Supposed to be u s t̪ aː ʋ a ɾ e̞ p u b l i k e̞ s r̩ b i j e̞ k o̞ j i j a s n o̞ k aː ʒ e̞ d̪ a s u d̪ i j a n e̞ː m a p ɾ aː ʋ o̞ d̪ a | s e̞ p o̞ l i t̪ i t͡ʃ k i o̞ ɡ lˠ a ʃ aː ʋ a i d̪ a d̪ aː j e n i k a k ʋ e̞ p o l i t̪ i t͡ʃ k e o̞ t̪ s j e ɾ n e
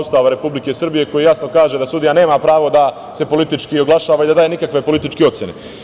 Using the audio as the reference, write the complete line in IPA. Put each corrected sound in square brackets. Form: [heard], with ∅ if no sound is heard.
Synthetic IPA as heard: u s t̪ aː ʋ a ɾ e̞ p u b l i k e̞ s r̩ b i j e̞ k o̞ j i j a s n o̞ k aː ʒ e̞ d̪ a s u d̪ i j a n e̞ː m a p ɾ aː ʋ o̞ d̪ a | s e̞ p o̞ l i t̪ i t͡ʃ k i o̞ ɡ lˠ a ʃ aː ʋ a i d̪ a d̪ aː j e n i k a k ʋ e̞ p o l i t̪ i t͡ʃ k e o̞ t̪ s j e [∅] n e